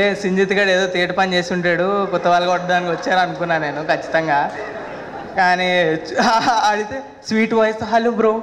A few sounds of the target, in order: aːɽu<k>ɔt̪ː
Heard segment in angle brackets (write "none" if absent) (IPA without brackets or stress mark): k